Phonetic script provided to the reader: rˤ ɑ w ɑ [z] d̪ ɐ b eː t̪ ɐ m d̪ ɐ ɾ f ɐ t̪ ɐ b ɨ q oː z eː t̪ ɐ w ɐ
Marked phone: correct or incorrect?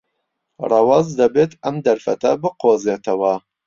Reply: correct